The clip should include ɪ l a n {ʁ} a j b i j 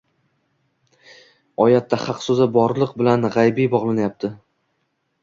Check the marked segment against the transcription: correct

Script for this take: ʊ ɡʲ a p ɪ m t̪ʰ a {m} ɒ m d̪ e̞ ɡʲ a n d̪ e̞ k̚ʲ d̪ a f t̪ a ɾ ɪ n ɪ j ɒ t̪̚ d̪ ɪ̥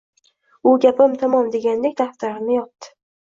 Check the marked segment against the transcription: correct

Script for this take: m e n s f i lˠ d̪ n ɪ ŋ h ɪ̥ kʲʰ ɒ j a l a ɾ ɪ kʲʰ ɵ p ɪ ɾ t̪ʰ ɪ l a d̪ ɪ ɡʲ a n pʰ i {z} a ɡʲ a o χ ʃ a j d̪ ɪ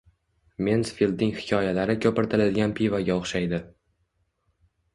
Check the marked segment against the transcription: incorrect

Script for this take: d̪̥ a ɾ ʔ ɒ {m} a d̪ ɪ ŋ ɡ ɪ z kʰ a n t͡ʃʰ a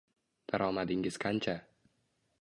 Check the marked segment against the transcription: correct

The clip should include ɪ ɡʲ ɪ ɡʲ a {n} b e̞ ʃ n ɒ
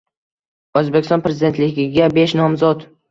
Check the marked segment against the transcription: incorrect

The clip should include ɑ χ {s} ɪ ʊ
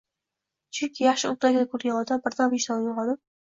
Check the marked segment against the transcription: incorrect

